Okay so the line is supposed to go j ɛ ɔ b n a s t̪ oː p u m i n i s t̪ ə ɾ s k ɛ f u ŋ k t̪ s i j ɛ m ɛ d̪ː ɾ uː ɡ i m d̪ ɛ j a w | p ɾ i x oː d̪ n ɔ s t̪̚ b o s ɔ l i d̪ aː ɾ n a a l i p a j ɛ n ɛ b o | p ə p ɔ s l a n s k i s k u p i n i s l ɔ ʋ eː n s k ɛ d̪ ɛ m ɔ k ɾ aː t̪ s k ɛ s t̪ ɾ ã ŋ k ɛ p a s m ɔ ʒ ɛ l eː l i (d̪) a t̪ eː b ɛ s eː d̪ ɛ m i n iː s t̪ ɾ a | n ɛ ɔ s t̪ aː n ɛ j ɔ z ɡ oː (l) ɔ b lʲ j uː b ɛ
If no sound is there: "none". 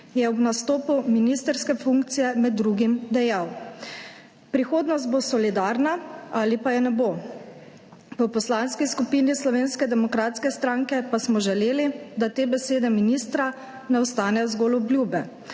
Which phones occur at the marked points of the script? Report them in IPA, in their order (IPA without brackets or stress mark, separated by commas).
d̪, l